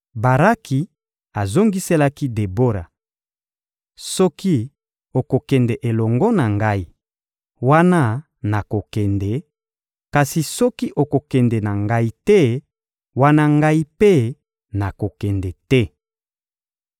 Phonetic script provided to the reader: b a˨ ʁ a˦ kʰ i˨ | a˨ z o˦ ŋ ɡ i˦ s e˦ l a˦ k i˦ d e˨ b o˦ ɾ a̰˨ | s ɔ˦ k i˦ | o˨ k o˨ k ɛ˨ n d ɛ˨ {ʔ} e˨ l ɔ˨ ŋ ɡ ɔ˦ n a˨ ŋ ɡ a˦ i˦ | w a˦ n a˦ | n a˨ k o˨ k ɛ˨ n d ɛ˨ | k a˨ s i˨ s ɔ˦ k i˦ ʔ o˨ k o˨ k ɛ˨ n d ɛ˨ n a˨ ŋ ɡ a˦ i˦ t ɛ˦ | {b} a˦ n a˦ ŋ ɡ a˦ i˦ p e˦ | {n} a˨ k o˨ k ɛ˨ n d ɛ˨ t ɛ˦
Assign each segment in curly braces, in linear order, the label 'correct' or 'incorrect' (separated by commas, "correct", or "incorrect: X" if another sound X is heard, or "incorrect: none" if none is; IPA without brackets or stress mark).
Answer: correct, incorrect: w, correct